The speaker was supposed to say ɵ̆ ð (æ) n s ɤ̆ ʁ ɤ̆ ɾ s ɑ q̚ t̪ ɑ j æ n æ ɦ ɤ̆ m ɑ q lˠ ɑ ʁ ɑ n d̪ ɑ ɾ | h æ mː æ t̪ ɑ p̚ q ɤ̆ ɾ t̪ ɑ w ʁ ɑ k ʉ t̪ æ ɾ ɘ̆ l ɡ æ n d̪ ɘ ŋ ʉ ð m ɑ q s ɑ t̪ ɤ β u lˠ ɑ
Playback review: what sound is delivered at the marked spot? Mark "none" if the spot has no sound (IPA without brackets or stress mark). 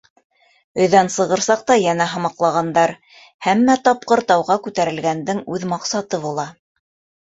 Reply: æ